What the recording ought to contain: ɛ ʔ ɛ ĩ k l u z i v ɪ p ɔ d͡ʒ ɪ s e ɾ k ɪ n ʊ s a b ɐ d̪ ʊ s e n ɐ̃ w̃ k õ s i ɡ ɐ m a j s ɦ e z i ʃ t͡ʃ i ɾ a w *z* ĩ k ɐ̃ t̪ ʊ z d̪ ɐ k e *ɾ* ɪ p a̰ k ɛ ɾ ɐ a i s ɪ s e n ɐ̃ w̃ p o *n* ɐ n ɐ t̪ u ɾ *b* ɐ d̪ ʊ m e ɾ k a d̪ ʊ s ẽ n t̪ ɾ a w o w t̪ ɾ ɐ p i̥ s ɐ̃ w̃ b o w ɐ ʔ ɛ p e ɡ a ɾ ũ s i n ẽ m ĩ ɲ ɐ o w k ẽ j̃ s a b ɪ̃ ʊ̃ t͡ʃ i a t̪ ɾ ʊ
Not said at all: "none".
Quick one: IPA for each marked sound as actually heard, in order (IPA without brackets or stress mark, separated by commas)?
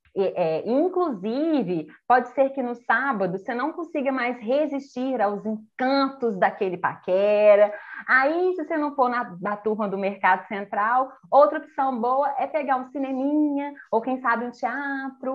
z, l, n, m